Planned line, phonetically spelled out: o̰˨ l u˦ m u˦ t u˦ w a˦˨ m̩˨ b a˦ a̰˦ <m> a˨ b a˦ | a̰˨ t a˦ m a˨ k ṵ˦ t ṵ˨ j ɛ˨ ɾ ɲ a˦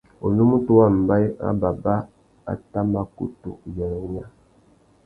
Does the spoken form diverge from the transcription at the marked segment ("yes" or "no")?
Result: yes